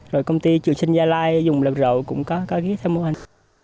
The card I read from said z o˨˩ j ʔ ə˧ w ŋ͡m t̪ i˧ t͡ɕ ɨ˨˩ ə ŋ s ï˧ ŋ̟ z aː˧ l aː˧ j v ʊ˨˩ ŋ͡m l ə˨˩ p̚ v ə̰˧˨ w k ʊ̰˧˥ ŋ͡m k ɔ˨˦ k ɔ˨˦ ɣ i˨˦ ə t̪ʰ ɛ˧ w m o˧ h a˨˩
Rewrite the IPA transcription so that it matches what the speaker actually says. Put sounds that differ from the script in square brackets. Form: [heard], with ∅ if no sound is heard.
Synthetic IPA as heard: z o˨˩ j [k] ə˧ w ŋ͡m t̪ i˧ t͡ɕ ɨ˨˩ ə ŋ s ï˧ ŋ̟ z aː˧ l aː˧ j [z] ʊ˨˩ ŋ͡m l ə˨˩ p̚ [z] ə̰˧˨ w k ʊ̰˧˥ ŋ͡m k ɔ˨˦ k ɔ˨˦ ɣ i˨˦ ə t̪ʰ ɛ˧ w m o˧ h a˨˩